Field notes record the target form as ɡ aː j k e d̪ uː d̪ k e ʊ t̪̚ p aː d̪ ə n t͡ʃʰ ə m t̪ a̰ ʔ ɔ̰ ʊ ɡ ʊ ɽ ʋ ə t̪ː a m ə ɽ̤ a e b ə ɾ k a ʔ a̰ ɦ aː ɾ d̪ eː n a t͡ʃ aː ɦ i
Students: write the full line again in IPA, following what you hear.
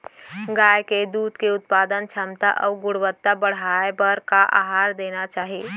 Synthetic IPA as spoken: ɡ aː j k e d̪ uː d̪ k e ʊ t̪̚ p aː d̪ ə n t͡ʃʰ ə m t̪ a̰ ʔ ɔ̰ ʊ ɡ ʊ ɽ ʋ ə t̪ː a b ə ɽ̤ a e b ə ɾ k a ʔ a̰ ɦ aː ɾ d̪ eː n a t͡ʃ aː ɦ i

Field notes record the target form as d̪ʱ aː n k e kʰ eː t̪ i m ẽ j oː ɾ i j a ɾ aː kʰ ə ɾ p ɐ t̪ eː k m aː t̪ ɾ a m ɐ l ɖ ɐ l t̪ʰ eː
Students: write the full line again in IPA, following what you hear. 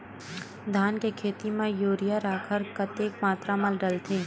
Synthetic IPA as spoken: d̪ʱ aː n k e kʰ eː t̪ i m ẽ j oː ɾ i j a ɾ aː kʰ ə ɾ k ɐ t̪ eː k m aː t̪ ɾ a m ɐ l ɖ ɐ l t̪ʰ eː

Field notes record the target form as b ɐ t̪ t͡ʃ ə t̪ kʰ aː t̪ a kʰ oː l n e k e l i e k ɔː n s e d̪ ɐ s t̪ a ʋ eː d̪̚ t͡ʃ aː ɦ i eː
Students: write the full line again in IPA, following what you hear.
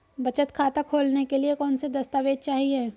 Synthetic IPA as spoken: b ɐ t͡ʃ ə t̪ kʰ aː t̪ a kʰ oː l n e k e l i e k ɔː n s e d̪ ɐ s t̪ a ʋ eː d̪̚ t͡ʃ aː ɦ i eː

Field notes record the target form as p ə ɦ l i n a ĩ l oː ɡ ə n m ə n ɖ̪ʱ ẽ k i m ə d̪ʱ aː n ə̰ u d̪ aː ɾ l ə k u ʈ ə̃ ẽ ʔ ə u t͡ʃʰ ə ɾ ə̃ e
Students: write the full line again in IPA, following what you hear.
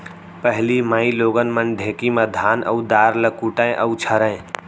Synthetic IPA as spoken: p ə ɦ l i m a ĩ l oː ɡ ə n m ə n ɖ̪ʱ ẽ k i m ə d̪ʱ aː n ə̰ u d̪ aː ɾ l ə k u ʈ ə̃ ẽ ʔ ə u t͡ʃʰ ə ɾ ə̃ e

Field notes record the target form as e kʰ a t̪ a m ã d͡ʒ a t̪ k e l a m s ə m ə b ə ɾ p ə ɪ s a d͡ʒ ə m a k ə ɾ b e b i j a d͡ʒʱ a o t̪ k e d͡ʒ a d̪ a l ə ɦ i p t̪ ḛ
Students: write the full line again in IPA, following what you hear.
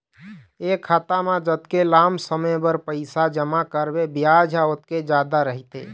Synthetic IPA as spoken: e kʰ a t̪ a m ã d͡ʒ ə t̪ k e l a m s ə m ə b ə ɾ p ə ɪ s a d͡ʒ ə m a k ə ɾ b e b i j a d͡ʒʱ a o t̪ k e d͡ʒ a d̪ a ɾ ə ɦ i t̪ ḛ

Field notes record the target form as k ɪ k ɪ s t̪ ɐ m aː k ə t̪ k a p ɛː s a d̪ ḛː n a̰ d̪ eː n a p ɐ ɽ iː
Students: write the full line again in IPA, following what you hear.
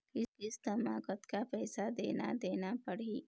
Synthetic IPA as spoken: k ɪ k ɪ s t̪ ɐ m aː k ə t̪ k a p ɛː s a d̪ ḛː n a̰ d̪ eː n a p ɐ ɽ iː

